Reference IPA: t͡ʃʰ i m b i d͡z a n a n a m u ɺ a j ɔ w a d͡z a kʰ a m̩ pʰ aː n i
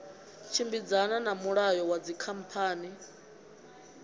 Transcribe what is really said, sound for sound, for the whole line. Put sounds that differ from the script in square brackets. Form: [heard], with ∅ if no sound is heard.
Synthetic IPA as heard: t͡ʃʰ i m b i d͡z a n a n a m u ɺ a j ɔ w a d͡z [i] kʰ a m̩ pʰ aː n i